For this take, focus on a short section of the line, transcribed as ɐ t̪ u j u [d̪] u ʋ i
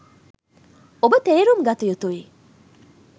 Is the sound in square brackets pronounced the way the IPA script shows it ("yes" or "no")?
no